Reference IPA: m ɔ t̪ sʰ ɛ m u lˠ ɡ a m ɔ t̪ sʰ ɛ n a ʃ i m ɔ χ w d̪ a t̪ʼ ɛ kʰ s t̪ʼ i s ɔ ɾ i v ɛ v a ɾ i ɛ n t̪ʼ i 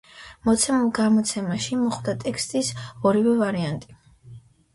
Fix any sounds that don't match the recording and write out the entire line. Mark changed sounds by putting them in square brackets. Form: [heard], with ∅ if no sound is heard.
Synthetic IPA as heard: m ɔ t̪ sʰ ɛ m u lˠ ɡ a m ɔ t̪ sʰ ɛ [m] a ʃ i m ɔ χ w d̪ a t̪ʼ ɛ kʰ s t̪ʼ i s ɔ ɾ i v ɛ v a ɾ i [a] n t̪ʼ i